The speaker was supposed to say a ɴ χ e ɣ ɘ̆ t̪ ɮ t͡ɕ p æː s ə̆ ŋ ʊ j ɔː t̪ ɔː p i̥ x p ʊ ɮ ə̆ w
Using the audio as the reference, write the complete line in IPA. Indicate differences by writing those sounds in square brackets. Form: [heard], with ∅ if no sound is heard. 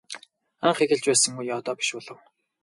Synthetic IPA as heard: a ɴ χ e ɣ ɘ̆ [∅] ɮ t͡ɕ p æː s ə̆ ŋ [u] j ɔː t̪ ɔː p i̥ [ʃ] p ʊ ɮ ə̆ w